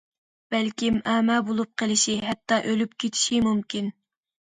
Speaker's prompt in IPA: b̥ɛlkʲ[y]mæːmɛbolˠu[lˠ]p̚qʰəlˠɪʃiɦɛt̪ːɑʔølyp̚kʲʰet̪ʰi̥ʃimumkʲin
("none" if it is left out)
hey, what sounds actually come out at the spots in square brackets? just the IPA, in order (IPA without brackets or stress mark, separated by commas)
i, none